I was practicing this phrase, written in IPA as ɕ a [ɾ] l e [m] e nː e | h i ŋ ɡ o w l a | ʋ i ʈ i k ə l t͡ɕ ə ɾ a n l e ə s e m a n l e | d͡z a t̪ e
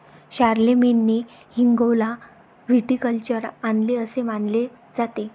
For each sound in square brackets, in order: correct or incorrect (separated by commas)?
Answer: correct, correct